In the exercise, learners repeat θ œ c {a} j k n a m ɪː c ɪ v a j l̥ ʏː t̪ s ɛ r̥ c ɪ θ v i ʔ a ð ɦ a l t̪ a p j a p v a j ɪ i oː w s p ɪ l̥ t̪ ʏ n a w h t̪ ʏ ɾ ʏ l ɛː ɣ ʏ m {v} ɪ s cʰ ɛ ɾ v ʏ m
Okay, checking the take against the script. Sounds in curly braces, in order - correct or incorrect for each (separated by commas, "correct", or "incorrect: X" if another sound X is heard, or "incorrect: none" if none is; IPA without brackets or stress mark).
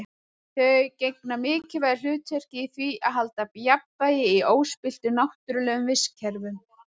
incorrect: e, correct